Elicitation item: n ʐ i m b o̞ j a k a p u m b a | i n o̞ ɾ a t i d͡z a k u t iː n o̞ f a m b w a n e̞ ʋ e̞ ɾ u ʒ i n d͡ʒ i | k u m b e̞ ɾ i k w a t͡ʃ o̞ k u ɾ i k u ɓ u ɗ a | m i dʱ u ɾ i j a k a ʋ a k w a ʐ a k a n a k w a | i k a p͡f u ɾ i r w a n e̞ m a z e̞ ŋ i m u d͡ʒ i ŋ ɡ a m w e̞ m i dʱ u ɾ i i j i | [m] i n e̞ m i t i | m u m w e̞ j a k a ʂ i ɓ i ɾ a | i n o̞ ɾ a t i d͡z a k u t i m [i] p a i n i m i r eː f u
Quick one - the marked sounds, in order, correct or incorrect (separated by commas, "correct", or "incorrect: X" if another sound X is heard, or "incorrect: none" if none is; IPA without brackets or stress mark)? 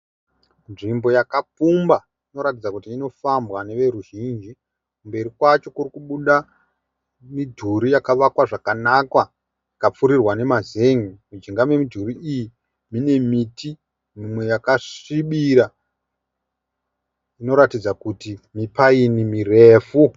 correct, correct